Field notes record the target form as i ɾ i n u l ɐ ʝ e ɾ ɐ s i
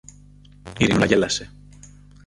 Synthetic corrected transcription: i ɾ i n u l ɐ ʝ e l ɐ s e